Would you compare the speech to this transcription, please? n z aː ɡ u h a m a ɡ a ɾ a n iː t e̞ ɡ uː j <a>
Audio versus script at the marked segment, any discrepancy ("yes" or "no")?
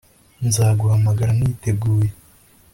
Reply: yes